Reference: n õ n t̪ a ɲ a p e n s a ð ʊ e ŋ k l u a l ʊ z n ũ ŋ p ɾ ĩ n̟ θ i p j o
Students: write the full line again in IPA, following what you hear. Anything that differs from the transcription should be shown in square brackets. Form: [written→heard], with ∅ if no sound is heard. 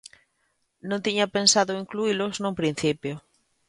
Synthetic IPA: n õ n t̪ [a→i] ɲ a p e n s a ð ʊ [e→i] ŋ k l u [a→i] l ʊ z n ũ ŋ p ɾ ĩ n̟ θ i p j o